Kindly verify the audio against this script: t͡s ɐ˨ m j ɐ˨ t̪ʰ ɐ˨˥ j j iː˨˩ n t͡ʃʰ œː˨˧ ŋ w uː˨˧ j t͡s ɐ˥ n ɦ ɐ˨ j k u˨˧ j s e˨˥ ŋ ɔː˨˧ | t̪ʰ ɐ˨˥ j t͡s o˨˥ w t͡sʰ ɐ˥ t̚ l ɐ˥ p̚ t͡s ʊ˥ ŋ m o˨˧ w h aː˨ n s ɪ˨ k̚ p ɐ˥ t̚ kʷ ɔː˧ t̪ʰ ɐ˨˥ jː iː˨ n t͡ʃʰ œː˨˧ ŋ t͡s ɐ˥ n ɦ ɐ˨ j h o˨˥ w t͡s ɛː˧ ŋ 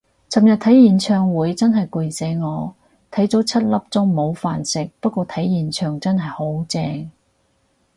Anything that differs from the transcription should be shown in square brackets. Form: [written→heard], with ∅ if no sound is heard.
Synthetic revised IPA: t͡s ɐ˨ m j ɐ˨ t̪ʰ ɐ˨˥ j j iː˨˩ n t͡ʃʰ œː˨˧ ŋ w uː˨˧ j t͡s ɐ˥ n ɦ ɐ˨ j k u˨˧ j s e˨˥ ŋ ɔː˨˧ | t̪ʰ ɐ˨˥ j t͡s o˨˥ w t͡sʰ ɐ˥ t̚ l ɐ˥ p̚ t͡s ʊ˥ ŋ m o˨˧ w [h→f] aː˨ n s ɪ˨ k̚ p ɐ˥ t̚ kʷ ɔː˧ t̪ʰ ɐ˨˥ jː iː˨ n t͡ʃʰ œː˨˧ ŋ t͡s ɐ˥ n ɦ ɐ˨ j h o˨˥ w t͡s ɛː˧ ŋ